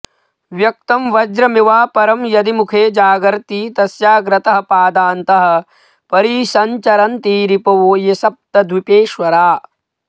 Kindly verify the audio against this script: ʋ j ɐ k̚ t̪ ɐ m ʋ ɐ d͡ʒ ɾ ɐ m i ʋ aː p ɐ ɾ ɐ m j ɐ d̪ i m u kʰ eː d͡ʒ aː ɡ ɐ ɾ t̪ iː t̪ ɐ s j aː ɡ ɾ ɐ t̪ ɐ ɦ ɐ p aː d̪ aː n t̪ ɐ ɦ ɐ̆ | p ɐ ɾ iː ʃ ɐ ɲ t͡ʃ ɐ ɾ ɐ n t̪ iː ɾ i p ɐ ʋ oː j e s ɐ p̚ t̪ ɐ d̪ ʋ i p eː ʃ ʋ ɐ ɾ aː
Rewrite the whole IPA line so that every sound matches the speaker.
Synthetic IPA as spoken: ʋ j ɐ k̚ t̪ ɐ m ʋ ɐ d͡ʒ ɾ ɐ m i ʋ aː p ɐ ɾ ɐ m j ɐ d̪ i m u kʰ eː d͡ʒ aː ɡ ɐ ɾ t̪ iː t̪ ɐ s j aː ɡ ɾ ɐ t̪ ɐ ɦ ɐ p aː d̪ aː n t̪ ɐ ɦ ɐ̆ | p ɐ ɾ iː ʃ ɐ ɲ t͡ʃ ɐ ɾ ɐ n t̪ iː ɾ i p ɐ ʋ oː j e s ɐ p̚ t̪ ɐ d̪ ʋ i p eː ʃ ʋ ɐ ɾ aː